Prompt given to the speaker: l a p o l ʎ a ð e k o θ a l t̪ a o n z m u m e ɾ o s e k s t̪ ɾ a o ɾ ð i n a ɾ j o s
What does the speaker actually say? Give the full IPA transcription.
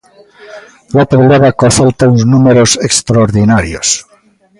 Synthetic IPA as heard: l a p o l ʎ a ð a k o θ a l t̪ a u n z n u m e ɾ o s e k s t̪ ɾ a o ɾ ð i n a ɾ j o s